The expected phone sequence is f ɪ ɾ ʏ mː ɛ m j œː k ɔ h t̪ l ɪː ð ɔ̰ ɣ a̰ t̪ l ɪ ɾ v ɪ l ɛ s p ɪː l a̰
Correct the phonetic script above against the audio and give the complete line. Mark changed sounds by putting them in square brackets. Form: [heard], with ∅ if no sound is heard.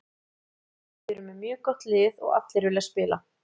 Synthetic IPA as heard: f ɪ ɾ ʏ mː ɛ m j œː k ɔ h t̪ l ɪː ð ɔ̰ ɣ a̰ t̪ l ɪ ɾ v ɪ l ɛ s p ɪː l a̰